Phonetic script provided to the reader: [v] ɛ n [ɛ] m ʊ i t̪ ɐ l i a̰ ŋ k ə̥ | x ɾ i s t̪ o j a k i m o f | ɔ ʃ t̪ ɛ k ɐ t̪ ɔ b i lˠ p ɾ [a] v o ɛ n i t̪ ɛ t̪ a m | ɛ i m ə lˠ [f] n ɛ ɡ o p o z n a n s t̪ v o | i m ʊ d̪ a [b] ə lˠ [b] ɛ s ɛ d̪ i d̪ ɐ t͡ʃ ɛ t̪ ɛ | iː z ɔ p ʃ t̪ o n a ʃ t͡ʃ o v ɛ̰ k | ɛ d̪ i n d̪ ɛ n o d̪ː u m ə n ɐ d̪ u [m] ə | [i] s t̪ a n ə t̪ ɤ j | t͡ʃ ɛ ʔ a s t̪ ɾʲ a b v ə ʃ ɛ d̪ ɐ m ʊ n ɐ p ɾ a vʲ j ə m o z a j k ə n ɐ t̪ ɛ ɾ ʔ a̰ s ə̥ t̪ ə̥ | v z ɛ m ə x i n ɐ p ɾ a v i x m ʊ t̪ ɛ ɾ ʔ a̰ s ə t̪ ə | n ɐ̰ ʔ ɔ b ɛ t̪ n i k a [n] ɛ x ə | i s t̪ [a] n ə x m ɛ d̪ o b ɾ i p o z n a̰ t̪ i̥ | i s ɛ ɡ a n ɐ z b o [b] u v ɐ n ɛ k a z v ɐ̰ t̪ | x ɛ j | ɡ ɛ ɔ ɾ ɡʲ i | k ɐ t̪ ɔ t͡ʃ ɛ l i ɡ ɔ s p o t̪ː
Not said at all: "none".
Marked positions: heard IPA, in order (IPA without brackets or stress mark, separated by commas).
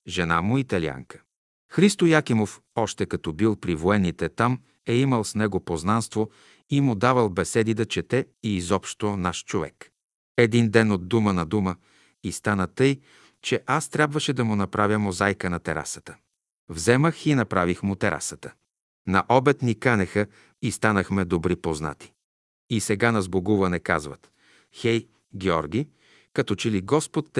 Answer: ʒ, a, i, s, v, b, m, i, n, a, ɡ